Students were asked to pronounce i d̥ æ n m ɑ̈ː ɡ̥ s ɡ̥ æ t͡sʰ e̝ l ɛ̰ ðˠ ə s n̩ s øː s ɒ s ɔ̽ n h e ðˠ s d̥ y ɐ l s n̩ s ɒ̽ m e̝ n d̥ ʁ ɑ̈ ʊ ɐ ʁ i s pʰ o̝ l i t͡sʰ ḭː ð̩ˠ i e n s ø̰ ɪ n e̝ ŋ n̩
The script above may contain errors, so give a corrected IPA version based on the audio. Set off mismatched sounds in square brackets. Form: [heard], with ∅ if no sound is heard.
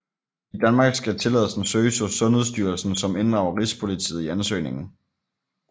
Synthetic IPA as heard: i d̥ æ n m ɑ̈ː ɡ̥ s ɡ̥ æ t͡sʰ e̝ l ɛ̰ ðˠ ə s n̩ s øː s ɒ s ɔ̽ n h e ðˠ s d̥ y ɐ l s n̩ s ɒ̽ m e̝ n d̥ ʁ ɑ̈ ʊ ɐ ʁ i s pʰ o̝ l i t͡sʰ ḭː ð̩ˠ i [æ] n s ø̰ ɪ n e̝ ŋ n̩